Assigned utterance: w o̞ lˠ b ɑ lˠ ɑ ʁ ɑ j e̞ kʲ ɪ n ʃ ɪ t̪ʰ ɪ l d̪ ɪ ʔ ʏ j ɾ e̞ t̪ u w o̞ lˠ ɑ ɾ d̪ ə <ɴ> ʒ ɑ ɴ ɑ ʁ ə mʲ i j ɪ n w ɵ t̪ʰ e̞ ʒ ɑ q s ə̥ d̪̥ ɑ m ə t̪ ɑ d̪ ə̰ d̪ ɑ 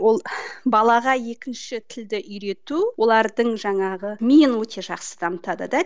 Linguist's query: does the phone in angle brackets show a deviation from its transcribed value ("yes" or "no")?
no